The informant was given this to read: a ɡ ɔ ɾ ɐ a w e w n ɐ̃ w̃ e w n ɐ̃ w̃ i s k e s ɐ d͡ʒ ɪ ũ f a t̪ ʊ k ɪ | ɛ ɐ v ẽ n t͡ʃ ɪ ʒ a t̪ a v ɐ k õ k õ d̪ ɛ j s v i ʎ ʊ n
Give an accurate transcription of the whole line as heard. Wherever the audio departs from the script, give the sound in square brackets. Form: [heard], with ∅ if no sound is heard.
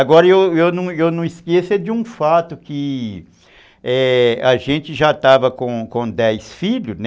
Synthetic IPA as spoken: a ɡ ɔ ɾ ɐ [e] w e w n ɐ̃ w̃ e w n ɐ̃ w̃ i s k e s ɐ d͡ʒ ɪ ũ f a t̪ ʊ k ɪ | ɛ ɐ [ʒ] ẽ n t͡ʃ ɪ ʒ a t̪ a v ɐ k õ k õ d̪ ɛ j s [f] i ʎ ʊ n

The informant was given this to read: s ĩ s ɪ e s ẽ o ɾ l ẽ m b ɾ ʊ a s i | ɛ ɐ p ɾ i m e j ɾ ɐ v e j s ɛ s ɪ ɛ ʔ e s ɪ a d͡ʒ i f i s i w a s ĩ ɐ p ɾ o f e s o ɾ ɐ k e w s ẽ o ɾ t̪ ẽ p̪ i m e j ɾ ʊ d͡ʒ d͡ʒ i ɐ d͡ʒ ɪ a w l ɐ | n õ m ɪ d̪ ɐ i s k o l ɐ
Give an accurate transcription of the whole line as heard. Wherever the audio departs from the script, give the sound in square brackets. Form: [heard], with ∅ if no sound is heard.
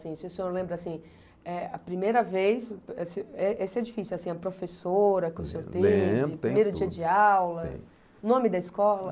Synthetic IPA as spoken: s ĩ s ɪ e s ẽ o ɾ l ẽ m b ɾ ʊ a s [ĩ] | ɛ ɐ p ɾ i m e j ɾ ɐ v e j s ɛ s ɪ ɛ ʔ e s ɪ [ɛ] d͡ʒ i f i s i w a s ĩ ɐ p ɾ o f e s o ɾ ɐ k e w s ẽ o ɾ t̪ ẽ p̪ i m e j ɾ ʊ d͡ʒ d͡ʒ i ɐ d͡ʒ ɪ a w l ɐ | n õ m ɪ d̪ ɐ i s k [ɔ] l ɐ

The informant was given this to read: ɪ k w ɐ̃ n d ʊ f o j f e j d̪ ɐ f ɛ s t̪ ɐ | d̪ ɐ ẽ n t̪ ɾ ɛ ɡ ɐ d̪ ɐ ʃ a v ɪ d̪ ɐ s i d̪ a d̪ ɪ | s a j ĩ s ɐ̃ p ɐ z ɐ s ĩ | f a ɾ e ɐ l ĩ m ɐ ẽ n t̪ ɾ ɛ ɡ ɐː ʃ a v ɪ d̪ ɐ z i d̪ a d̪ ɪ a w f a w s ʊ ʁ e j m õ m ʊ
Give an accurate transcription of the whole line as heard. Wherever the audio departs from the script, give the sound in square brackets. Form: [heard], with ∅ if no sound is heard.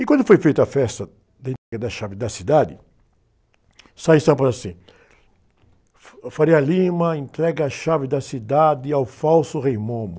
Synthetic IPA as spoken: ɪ k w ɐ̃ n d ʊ f o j f e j [t̪] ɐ f ɛ s t̪ ɐ | d̪ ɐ ẽ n t̪ ɾ ɛ ɡ ɐ d̪ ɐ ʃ a v ɪ d̪ ɐ s i d̪ a d̪ ɪ | s a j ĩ s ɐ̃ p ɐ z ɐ s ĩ | f a ɾ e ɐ l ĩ m ɐ ẽ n t̪ ɾ ɛ ɡ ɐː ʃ a v ɪ d̪ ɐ [s] i d̪ a d̪ ɪ a w f a w s ʊ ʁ e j m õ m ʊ

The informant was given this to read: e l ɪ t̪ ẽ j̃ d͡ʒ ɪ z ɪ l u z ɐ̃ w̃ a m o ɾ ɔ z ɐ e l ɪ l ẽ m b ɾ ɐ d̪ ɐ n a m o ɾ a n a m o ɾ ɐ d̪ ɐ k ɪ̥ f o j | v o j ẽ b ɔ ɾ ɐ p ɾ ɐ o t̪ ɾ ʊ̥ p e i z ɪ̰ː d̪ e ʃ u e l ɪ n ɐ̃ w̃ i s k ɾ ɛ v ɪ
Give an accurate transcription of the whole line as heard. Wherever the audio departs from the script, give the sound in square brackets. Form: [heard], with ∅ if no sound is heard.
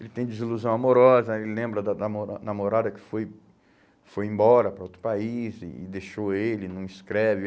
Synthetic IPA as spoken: e l ɪ t̪ ẽ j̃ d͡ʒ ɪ z [i] l u z ɐ̃ w̃ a m o ɾ ɔ z ɐ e l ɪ l ẽ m b ɾ ɐ d̪ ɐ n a m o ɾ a n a m o ɾ [a] d̪ ɐ k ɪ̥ f o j | [f] o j ẽ b ɔ ɾ ɐ p ɾ ɐ o t̪ ɾ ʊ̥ p [a] i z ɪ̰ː d̪ e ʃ [o] e l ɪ n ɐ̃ w̃ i s k ɾ ɛ v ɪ

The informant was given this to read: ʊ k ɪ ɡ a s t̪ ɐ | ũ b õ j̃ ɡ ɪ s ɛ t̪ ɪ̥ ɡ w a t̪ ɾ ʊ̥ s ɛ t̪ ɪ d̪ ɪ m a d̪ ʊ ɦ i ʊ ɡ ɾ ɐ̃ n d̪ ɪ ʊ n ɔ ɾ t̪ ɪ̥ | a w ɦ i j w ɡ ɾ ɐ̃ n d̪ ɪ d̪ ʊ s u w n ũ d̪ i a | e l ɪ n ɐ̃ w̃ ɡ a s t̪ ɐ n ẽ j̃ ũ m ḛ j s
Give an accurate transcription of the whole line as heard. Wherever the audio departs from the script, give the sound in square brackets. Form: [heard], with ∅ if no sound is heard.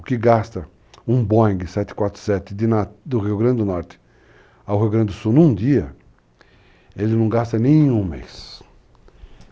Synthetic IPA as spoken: ʊ k ɪ ɡ a s t̪ ɐ | ũ b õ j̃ ɡ ɪ s ɛ t̪ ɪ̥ [k] w a t̪ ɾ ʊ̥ s ɛ t̪ ɪ d̪ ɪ [n] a d̪ ʊ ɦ i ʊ ɡ ɾ ɐ̃ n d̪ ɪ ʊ n ɔ ɾ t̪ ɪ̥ | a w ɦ i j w ɡ ɾ ɐ̃ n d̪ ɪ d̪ ʊ s u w n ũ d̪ i [ɐ] | e l ɪ n ɐ̃ w̃ ɡ a s t̪ ɐ n ẽ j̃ ũ m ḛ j s

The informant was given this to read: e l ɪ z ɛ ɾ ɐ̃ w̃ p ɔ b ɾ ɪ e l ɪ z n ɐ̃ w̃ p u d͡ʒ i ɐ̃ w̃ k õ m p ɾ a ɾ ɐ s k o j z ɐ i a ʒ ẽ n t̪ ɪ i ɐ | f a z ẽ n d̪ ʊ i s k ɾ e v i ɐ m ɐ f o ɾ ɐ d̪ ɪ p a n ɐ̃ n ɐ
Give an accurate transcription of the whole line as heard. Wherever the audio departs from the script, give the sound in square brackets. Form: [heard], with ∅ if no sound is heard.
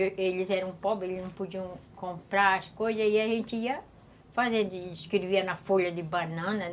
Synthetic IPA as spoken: e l ɪ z ɛ ɾ ɐ̃ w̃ p ɔ b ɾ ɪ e l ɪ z n ɐ̃ w̃ p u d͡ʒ i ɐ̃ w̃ k õ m p ɾ a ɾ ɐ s k o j z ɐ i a ʒ ẽ n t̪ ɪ i ɐ | f a z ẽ n d̪ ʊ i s k ɾ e v i ɐ [n] ɐ f o [ʎ] ɐ d̪ ɪ [b] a n ɐ̃ n ɐ

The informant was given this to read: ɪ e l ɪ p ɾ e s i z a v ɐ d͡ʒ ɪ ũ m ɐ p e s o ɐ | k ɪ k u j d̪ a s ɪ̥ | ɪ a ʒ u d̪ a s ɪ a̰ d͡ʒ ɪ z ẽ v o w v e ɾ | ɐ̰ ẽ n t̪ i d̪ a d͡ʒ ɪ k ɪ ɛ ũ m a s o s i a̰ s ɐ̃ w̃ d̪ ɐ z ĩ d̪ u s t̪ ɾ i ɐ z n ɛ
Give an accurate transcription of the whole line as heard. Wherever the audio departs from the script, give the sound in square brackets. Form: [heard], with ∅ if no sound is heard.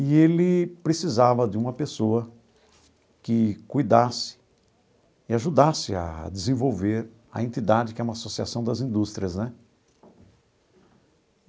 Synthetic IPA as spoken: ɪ e l ɪ p ɾ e s i z a v ɐ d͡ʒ ɪ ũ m ɐ p e s o ɐ | k ɪ k u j d̪ a s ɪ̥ | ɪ a ʒ u d̪ a s ɪ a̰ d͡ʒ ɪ z ẽ v o w v e ɾ | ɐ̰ ẽ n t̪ i d̪ a d͡ʒ ɪ k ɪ ɛ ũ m a s o s i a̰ s ɐ̃ w̃ d̪ ɐ z ĩ d̪ u s t̪ ɾ i ɐ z n ɛ

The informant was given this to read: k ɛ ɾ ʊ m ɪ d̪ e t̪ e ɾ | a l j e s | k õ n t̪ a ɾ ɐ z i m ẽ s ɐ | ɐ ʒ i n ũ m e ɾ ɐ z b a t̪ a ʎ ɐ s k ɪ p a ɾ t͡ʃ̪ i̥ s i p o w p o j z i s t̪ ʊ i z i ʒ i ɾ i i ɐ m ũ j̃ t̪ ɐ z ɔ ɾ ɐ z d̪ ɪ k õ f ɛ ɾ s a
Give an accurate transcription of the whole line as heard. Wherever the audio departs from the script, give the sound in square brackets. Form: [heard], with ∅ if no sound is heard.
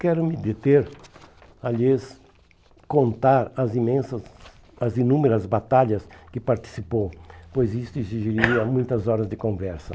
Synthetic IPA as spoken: k ɛ ɾ ʊ m ɪ d̪ e t̪ e ɾ | a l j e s | k õ n t̪ a ɾ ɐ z i m ẽ s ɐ | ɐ [z] i n ũ m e ɾ ɐ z b a t̪ a ʎ ɐ s k ɪ p a ɾ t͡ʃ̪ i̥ s i p o w p o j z i s t̪ ʊ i z i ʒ i ɾ i i ɐ m ũ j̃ t̪ ɐ z ɔ ɾ ɐ z d̪ ɪ k õ [v] ɛ ɾ s [ɐ]

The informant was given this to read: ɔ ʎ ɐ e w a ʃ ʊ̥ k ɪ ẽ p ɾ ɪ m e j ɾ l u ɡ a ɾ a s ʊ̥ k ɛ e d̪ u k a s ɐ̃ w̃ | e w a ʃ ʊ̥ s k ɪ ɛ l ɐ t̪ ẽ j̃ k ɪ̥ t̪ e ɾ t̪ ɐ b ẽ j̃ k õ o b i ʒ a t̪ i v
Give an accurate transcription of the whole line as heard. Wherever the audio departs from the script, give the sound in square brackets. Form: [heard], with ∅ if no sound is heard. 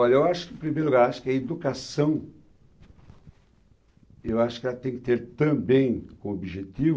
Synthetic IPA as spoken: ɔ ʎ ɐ e w a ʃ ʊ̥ k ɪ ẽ p ɾ [i] m e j ɾ l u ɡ a ɾ a [ʃ] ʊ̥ k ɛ e d̪ u k a s ɐ̃ w̃ | e w a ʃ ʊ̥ [∅] k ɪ ɛ l ɐ t̪ ẽ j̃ k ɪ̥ t̪ e ɾ t̪ [ɐ̃] b ẽ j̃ k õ o b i ʒ [e] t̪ i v

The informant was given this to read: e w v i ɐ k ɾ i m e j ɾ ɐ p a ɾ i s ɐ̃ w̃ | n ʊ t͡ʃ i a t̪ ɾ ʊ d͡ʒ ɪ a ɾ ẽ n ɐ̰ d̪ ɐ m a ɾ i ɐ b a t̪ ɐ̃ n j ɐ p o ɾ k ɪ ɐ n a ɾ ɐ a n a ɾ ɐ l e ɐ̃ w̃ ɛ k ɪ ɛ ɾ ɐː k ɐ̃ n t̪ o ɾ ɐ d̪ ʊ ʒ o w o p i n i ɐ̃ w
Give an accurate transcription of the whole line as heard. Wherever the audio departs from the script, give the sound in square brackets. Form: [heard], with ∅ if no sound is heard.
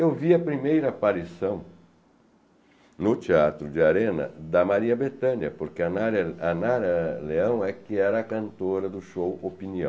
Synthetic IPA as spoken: e w v i ɐ [p] ɾ i m e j ɾ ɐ p a ɾ i s ɐ̃ w̃ | n ʊ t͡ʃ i a t̪ ɾ ʊ d͡ʒ ɪ a ɾ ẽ n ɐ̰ d̪ ɐ m a ɾ i ɐ b [e] t̪ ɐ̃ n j ɐ p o ɾ k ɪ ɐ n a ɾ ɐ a n a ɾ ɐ l e ɐ̃ w̃ ɛ k ɪ ɛ ɾ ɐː k ɐ̃ n t̪ o ɾ ɐ d̪ ʊ [ʃ] o w o p i n i ɐ̃ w

